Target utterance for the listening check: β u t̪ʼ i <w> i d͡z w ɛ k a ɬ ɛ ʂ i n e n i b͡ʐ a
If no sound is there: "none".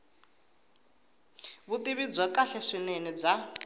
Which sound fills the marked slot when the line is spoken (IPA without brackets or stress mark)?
β